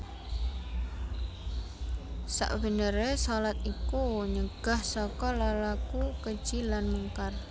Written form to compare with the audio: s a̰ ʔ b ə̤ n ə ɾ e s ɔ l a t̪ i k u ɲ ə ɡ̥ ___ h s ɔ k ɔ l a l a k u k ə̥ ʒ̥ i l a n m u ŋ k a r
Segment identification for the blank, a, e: a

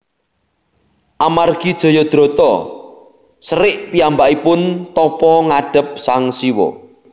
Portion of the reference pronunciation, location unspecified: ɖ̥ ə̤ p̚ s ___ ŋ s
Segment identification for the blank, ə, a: a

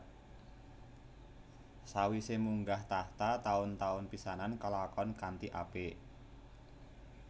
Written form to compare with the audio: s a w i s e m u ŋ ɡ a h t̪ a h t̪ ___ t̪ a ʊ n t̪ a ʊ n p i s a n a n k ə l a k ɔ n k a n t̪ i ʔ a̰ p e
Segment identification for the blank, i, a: a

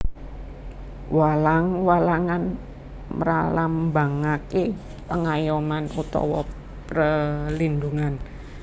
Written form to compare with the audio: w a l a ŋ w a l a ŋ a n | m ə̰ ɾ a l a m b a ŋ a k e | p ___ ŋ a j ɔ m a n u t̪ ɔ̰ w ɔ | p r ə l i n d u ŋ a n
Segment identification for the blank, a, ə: ə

